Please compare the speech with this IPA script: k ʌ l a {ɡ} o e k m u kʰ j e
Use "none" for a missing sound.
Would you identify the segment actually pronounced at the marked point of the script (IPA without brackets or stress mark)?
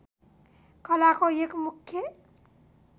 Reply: k